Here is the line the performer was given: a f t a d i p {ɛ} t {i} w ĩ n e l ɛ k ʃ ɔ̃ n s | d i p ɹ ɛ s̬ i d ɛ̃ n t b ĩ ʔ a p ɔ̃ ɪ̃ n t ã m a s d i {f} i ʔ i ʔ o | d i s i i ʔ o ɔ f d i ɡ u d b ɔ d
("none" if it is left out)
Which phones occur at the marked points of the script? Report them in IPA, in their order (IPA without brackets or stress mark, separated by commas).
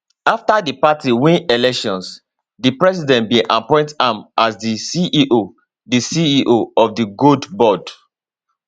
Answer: a, i, s